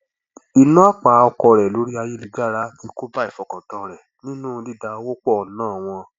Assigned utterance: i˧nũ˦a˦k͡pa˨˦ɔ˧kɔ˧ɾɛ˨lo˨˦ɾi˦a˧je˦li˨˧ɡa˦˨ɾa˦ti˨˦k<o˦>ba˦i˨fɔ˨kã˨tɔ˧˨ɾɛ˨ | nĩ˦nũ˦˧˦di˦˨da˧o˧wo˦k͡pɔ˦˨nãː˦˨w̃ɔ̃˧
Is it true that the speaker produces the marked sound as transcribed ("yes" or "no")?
yes